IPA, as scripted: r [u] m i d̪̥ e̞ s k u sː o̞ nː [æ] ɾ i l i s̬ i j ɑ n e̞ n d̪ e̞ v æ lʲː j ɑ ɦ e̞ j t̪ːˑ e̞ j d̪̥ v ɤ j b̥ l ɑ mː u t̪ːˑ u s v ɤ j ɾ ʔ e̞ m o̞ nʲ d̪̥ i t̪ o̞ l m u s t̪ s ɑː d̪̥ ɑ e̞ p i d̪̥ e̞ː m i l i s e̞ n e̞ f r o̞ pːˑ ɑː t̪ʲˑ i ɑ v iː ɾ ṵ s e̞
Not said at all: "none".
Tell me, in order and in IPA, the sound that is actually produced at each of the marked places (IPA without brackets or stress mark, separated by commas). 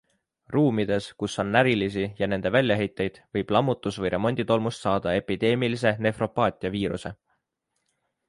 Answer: uː, æ